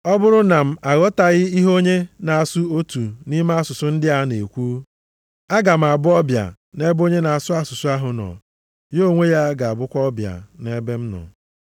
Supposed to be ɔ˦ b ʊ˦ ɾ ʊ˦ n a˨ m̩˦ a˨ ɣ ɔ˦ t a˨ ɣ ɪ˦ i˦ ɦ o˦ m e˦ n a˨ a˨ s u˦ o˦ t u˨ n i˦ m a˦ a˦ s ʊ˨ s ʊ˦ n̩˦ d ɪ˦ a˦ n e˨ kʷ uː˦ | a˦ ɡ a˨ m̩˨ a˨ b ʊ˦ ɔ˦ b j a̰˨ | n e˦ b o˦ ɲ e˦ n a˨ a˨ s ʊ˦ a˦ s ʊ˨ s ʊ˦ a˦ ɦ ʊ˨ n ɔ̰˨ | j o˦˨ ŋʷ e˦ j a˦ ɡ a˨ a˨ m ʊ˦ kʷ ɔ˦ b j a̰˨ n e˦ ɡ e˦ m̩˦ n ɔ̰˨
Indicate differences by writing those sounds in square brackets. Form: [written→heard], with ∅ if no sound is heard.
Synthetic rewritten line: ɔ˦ b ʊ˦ ɾ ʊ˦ n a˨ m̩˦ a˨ ɣ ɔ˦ t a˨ ɣ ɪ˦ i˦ ɦ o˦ [m→ɲ] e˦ n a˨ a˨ s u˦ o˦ t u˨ n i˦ m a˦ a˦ s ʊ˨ s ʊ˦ n̩˦ d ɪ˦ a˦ n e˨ kʷ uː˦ | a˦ ɡ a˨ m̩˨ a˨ b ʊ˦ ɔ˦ b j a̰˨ | n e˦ b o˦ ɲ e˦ n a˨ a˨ s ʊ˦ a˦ s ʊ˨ s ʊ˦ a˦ ɦ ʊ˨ n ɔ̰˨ | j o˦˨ ŋʷ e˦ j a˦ ɡ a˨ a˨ [m→b] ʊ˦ kʷ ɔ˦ b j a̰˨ n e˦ [ɡ→b] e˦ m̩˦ n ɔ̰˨